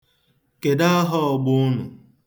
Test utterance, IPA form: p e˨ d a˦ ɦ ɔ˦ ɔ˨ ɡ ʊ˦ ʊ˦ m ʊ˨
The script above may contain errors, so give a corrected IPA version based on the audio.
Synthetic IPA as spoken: k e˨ d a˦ ɦ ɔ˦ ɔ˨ ɡ͡b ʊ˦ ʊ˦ n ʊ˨